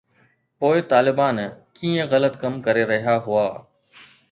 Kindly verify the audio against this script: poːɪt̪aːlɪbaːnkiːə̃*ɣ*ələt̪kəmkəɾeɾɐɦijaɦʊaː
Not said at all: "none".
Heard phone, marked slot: ɣ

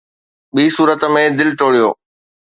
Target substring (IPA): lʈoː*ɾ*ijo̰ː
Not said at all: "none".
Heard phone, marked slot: ɽ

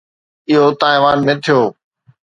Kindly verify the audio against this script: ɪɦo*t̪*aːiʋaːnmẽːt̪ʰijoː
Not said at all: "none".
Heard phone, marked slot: t̪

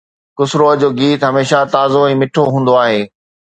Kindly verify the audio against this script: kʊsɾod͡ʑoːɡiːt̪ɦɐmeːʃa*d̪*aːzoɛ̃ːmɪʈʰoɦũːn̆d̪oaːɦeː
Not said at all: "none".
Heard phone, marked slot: t̪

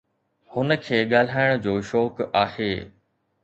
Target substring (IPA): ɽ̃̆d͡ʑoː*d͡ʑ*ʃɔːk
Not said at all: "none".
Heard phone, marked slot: none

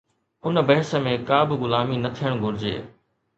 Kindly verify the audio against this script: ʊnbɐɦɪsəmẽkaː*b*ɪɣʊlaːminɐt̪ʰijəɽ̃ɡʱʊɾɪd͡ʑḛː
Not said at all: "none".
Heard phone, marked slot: b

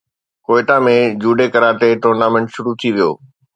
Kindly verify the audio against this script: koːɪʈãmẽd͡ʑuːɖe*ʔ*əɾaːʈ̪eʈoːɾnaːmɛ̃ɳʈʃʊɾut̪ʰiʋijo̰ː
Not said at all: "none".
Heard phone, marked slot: k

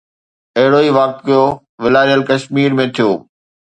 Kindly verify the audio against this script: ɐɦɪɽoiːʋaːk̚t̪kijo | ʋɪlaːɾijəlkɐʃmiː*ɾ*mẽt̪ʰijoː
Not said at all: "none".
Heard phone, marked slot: ɾ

